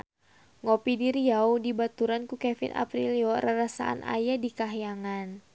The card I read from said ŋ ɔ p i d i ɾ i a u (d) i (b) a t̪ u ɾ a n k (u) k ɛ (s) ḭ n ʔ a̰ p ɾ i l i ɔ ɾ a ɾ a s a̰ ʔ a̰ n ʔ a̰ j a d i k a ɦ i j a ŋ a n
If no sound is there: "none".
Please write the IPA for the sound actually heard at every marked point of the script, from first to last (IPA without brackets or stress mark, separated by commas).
d, b, u, f